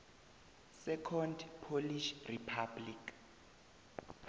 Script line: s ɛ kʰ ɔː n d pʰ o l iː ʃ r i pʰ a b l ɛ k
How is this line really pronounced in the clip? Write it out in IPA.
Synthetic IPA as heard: s ɛ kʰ ɔ n d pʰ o l i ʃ r i pʰ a b l i k